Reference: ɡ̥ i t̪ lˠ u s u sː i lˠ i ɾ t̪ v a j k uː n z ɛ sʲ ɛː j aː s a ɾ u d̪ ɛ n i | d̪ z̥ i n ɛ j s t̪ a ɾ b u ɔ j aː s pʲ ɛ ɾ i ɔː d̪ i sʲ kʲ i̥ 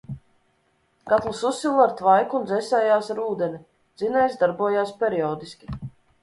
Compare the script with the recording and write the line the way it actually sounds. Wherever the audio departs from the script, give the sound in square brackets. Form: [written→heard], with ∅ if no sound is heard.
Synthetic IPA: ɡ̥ [i→a] t̪ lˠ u s u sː i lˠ [i→a] ɾ t̪ v a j k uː n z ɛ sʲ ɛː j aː s a ɾ [u→uː] d̪ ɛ n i | d̪ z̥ i n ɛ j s [t̪→d̪] a ɾ b u ɔ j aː s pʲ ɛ ɾ i ɔː d̪ i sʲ kʲ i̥